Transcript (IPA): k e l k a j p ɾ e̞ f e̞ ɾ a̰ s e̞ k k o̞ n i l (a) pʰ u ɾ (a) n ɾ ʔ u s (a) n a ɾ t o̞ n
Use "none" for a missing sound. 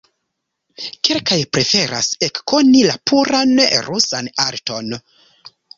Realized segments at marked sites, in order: a, a, a

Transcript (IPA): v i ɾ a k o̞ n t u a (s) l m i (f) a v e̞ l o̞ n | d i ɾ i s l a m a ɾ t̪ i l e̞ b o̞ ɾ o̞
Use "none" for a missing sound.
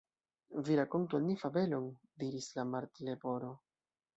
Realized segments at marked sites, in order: none, f

